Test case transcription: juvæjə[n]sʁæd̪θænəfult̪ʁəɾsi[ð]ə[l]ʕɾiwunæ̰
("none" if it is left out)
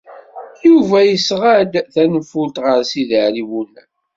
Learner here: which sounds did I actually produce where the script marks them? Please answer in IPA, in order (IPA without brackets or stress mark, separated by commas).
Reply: none, ð, none